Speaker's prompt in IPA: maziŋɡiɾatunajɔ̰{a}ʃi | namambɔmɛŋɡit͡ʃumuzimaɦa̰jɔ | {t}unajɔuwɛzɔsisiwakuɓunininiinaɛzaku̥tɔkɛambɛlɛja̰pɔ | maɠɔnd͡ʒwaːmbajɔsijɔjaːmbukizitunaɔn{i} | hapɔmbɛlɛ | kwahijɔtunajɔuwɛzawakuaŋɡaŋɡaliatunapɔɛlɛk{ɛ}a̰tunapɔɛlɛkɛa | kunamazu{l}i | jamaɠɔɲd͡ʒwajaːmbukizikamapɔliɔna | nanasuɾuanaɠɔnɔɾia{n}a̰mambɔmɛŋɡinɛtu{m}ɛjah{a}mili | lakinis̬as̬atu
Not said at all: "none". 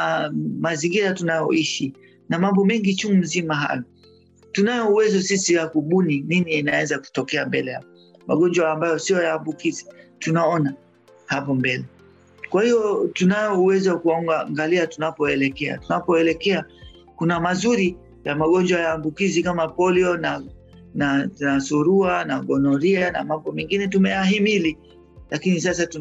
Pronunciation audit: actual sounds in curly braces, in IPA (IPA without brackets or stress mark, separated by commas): i, t, a, ɛ, ɾ, n, m, i